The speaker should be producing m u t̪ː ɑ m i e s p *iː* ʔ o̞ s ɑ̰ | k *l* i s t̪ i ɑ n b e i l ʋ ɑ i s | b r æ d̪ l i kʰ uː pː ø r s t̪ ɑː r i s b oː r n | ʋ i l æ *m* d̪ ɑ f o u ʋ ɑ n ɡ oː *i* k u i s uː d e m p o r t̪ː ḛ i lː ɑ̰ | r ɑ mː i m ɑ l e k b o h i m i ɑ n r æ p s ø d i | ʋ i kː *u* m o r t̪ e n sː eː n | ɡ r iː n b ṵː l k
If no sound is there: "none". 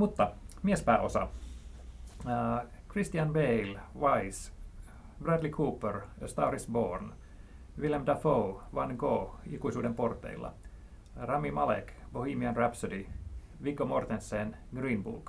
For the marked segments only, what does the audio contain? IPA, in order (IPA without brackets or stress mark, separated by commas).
æː, r, m, i, o